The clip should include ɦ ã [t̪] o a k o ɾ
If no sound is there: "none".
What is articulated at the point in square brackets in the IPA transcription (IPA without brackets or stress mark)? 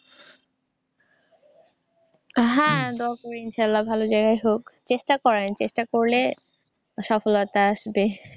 d̪